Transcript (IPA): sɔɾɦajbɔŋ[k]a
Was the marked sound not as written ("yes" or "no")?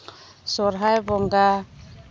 yes